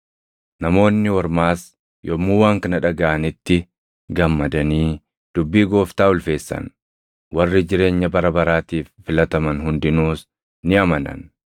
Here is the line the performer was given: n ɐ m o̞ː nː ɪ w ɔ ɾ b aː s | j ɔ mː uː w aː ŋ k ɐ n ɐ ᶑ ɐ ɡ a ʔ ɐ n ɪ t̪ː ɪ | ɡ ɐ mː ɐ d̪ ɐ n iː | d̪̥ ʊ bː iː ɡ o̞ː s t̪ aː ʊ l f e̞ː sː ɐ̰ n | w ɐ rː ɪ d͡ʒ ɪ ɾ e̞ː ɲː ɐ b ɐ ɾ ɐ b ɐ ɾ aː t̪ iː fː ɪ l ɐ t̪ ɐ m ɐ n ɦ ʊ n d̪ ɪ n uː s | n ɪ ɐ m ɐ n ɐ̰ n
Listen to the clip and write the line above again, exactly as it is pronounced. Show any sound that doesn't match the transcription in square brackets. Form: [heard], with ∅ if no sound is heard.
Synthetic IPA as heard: n ɐ m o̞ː nː ɪ w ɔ ɾ [m] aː s | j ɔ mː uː w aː ŋ k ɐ n ɐ ᶑ ɐ ɡ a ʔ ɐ n ɪ t̪ː ɪ | ɡ ɐ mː ɐ d̪ ɐ n iː | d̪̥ ʊ bː iː ɡ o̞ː [f] t̪ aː ʊ l f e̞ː sː ɐ̰ n | w ɐ rː ɪ d͡ʒ ɪ ɾ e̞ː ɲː ɐ b ɐ ɾ ɐ b ɐ ɾ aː t̪ iː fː ɪ l ɐ t̪ ɐ m ɐ n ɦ ʊ n d̪ ɪ n uː s | n ɪ ɐ m ɐ n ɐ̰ n